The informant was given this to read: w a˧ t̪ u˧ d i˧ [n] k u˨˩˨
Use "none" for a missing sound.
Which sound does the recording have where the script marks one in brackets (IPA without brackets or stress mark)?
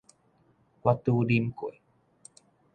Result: m